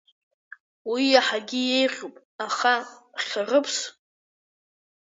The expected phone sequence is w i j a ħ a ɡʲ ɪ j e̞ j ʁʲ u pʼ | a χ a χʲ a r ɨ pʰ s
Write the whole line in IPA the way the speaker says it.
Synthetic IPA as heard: w i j a ħ a ɡʲ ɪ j e̞ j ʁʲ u pʼ | a χ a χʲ a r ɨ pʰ s